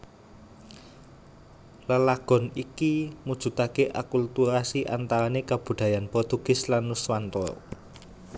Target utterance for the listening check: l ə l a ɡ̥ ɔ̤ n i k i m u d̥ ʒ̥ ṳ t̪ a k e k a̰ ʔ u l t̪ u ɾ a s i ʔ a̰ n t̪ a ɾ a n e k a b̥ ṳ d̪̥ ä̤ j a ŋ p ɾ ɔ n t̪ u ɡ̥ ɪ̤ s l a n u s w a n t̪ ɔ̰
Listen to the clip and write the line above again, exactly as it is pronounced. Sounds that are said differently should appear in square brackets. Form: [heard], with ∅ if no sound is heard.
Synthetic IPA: l ə l a ɡ̥ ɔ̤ n i k i m u d̥ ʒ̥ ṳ t̪ a k e [ʔ] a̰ [k] u l t̪ u ɾ a s i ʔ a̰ n t̪ a ɾ a n e k a b̥ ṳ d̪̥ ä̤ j a [n] p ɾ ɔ [∅] t̪ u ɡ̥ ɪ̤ s l a n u s w a n t̪ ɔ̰